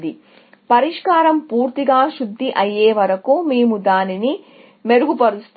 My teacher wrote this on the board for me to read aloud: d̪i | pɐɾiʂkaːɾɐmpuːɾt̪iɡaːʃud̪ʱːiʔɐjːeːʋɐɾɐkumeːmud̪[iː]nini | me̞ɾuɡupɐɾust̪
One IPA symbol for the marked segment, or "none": aː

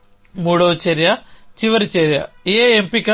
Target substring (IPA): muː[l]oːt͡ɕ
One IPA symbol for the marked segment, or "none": ɽ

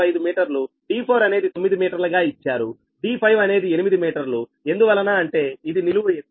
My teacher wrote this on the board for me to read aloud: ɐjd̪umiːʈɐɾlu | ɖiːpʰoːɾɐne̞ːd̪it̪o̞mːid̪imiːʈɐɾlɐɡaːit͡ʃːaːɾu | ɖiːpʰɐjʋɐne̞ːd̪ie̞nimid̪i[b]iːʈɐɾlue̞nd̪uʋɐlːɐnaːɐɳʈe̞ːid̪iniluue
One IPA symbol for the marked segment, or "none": m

